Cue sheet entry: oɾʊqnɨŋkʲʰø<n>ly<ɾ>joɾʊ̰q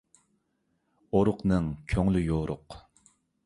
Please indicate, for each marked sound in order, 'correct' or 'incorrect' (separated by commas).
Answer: incorrect, incorrect